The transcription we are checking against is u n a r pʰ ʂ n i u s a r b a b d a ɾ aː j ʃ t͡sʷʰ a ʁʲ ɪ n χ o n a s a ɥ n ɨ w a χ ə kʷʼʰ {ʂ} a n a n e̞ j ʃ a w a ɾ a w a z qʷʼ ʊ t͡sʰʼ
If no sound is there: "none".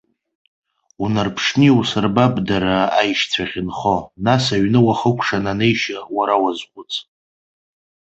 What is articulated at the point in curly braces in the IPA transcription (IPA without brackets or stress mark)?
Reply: ʂ